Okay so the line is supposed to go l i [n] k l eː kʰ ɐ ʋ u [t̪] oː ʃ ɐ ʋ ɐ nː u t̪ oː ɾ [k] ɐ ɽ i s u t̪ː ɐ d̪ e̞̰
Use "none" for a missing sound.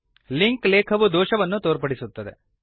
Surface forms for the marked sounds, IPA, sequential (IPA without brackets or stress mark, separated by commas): ŋ, d̪, p